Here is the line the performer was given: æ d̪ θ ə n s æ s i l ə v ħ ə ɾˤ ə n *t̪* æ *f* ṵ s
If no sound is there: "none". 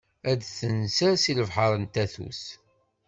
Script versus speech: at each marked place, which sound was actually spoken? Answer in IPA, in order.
t̪, θ

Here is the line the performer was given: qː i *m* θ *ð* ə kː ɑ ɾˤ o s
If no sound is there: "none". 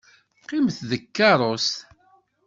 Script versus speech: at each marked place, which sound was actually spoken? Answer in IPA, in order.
m, ð

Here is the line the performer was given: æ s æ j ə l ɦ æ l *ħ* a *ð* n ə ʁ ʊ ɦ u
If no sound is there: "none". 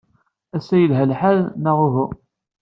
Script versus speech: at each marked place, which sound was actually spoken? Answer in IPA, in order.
ħ, ð

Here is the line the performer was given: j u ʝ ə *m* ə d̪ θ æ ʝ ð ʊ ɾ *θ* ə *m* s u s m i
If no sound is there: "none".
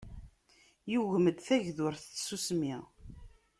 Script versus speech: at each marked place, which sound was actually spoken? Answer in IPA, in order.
m, θ, none

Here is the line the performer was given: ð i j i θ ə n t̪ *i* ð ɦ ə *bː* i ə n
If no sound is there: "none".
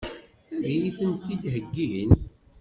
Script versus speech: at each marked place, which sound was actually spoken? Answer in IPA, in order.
i, ɡː

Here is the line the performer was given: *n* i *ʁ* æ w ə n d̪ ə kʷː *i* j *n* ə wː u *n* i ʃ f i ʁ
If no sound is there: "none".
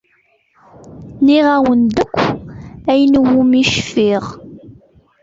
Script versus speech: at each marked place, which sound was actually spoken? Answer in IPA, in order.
n, ʁ, æ, n, m

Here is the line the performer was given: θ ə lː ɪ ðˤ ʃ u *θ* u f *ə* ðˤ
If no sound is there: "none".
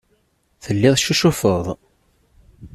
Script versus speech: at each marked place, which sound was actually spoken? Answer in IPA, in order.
ʃ, ə

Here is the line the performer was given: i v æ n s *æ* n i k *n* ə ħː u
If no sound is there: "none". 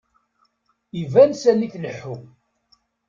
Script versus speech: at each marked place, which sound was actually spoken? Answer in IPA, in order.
æ, n

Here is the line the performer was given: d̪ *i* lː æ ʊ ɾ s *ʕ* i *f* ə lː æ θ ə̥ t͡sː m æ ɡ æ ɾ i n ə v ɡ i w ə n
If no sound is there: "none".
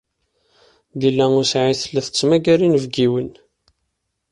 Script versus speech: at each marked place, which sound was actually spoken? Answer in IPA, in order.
i, ʕ, θ

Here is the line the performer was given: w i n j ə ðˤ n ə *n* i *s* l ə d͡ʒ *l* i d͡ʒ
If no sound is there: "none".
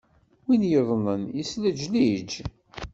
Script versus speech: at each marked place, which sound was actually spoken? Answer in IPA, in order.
n, s, l

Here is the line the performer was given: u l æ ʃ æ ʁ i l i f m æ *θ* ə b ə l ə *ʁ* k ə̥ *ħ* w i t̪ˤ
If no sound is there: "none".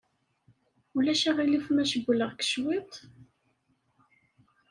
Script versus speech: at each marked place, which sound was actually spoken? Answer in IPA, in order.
ʃ, ʁ, ʃ

